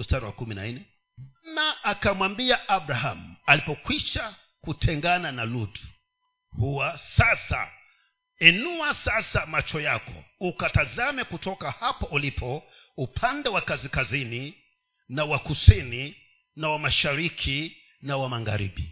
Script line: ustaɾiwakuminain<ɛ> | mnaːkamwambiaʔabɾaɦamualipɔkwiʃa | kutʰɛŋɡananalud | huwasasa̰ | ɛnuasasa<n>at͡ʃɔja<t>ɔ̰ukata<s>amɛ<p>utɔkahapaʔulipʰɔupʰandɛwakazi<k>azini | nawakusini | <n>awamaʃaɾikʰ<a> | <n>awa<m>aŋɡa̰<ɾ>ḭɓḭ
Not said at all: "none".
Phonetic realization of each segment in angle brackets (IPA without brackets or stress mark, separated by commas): ɛ, m, k, z, k, k, n, i, n, m, ɾ